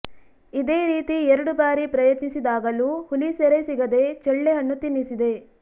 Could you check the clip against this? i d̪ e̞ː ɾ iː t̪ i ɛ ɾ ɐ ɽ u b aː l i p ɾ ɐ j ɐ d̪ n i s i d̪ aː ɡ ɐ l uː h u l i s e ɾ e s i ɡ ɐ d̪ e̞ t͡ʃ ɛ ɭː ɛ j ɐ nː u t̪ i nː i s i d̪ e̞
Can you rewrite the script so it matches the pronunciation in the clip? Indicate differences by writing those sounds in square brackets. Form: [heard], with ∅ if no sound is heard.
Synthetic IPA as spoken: i d̪ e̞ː ɾ iː t̪ i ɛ ɾ ɐ ɽ u b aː [ɾ] i p ɾ ɐ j ɐ [t̪] n i s i d̪ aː ɡ ɐ l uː h u l i s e ɾ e s i ɡ ɐ d̪ e̞ t͡ʃ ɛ ɭː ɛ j ɐ nː u t̪ i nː i s i d̪ e̞